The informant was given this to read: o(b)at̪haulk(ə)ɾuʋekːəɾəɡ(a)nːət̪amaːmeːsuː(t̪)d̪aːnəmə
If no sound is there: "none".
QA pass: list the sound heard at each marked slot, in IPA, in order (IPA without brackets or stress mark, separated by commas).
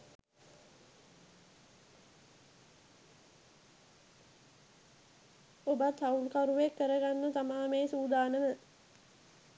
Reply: b, a, a, none